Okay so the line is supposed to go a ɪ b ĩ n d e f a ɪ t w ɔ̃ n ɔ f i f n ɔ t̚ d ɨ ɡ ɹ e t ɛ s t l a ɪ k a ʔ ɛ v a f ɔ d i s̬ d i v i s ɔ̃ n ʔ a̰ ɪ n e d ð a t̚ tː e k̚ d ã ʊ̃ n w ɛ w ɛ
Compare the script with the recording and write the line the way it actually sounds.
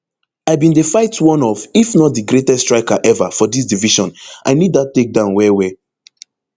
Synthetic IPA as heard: a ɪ b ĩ n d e f a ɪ t w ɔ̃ n ɔ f i f n ɔ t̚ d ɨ ɡ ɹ e t ɛ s t ɹ a ɪ k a ʔ ɛ v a f ɔ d i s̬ d i v i ʃ ɔ̃ n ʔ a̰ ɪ n i d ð a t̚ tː e k̚ d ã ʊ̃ n w ɛ w ɛ